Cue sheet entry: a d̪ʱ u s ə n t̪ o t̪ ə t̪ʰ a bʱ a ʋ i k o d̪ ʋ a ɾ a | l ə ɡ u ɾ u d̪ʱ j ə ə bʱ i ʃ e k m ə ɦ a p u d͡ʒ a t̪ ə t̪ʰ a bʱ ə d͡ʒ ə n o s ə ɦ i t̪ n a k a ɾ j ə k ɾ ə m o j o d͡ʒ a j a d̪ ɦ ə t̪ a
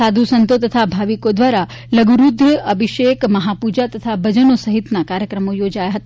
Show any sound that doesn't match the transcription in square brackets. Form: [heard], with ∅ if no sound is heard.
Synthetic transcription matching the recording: a d̪ʱ u s ə n t̪ o t̪ ə t̪ʰ a bʱ a ʋ i k o d̪ ʋ a ɾ a | l ə ɡ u ɾ u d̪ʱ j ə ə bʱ i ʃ e k m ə ɦ a p u d͡ʒ a t̪ ə t̪ʰ a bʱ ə d͡ʒ ə n o s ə ɦ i t̪ n a k a ɾ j ə k ɾ ə m o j o d͡ʒ a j a [∅] ɦ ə t̪ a